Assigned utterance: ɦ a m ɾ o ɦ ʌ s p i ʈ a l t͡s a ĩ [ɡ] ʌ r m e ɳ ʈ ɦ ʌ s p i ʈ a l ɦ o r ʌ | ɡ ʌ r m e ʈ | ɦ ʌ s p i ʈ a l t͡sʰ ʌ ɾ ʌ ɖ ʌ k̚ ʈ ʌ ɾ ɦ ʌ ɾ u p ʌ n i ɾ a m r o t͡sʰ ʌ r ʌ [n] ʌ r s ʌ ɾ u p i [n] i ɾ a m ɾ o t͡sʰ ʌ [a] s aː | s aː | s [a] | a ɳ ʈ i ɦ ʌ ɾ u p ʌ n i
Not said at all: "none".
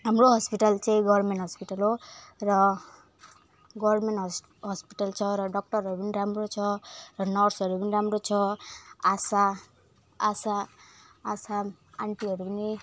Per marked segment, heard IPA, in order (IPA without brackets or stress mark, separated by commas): ɡ, n, n, a, a